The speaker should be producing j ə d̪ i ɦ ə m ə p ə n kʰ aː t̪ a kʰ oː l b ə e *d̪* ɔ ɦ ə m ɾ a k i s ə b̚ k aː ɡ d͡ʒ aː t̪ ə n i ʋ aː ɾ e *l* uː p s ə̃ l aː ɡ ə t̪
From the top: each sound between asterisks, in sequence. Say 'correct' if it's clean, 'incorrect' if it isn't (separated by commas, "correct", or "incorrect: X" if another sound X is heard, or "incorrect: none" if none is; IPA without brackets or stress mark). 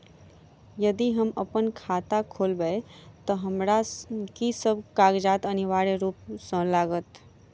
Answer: incorrect: t̪, incorrect: ɾ